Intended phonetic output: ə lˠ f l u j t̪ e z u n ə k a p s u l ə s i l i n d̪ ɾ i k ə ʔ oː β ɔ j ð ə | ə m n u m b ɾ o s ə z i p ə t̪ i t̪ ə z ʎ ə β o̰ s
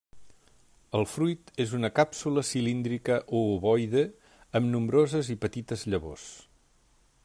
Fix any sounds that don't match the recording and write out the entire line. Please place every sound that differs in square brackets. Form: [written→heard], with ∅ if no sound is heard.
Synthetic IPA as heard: ə lˠ f [l→ɾ] u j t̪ e z u n ə k a p s u l ə s i l i n d̪ ɾ i k ə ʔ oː β ɔ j ð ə | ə m n u m b ɾ o [s→z] ə z i p ə t̪ i t̪ ə z ʎ ə β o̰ s